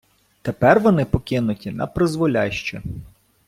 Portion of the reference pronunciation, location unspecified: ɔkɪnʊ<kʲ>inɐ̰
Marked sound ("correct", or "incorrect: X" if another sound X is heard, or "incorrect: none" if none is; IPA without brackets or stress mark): incorrect: tʲ